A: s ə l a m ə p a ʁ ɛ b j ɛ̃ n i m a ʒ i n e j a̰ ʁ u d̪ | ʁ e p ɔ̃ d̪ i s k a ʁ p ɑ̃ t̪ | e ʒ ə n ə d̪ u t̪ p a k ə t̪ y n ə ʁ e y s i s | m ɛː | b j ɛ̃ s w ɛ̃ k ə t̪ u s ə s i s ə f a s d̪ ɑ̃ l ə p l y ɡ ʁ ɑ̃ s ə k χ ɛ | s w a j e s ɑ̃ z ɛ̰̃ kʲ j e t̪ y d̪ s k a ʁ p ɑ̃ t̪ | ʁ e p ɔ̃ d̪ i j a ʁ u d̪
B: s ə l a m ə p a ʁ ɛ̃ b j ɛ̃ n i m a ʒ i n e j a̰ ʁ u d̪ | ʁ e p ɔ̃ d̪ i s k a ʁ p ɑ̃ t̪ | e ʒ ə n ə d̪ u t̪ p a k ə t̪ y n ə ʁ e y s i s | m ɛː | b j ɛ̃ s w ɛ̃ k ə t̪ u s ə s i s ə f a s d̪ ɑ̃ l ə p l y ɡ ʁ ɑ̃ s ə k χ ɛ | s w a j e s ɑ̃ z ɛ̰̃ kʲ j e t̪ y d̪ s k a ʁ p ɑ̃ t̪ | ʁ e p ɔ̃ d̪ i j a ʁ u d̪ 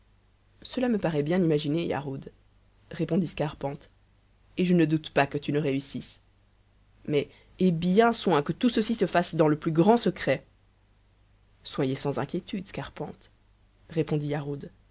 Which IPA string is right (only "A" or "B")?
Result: A